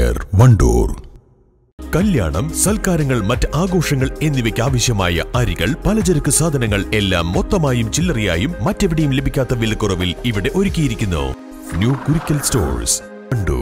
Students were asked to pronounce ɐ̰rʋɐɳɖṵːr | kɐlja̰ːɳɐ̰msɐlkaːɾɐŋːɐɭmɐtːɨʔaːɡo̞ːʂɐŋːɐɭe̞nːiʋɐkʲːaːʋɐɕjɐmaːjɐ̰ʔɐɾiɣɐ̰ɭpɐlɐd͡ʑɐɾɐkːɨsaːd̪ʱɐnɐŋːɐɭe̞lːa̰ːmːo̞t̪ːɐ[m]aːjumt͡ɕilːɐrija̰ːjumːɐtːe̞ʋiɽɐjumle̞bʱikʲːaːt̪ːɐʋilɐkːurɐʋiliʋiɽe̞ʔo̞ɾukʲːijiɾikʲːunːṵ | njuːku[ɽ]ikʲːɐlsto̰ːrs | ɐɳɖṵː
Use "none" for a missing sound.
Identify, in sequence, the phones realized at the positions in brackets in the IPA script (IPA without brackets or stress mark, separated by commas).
m, ɾ